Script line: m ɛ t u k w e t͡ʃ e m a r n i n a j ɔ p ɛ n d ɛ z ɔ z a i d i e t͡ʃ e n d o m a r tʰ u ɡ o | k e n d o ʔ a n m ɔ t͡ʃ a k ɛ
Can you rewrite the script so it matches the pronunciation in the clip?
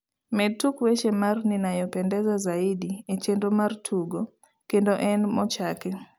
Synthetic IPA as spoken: m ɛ t u k w e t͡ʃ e m a r n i n a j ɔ p ɛ n d ɛ z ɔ z a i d i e t͡ʃ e n d o m a r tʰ u ɡ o | k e n d o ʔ ɛ n m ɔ t͡ʃ a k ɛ